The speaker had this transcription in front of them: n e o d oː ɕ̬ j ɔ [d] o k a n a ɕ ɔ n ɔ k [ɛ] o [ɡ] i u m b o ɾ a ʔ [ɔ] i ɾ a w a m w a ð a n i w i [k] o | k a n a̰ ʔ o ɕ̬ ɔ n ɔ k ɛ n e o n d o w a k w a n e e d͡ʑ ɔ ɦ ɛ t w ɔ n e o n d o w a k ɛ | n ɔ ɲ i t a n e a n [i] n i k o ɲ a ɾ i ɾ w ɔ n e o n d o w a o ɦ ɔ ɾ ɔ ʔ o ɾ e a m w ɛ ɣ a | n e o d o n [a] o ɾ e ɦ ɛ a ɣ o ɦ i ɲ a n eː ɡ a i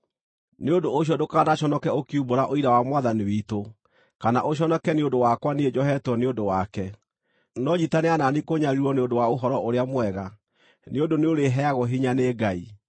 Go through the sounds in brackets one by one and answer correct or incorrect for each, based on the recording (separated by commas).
correct, correct, incorrect, incorrect, incorrect, incorrect, incorrect